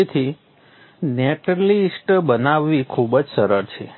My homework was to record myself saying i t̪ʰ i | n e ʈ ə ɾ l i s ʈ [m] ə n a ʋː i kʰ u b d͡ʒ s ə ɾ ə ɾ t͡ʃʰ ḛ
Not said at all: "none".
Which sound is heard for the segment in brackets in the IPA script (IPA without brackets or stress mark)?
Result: b